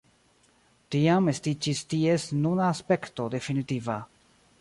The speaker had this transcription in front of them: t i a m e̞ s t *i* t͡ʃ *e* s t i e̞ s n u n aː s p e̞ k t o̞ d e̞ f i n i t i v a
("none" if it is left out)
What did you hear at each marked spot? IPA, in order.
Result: i, i

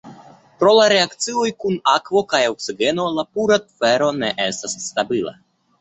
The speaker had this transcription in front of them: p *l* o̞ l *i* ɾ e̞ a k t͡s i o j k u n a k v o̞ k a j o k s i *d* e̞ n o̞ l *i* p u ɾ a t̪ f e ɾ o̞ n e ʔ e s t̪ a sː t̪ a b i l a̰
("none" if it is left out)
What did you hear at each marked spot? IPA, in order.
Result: ɾ, a, ɡ, a

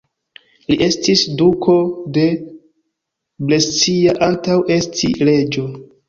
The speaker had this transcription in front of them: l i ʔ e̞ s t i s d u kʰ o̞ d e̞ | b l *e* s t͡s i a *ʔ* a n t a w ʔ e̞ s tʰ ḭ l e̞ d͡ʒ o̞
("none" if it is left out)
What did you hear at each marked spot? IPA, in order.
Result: e, ʔ

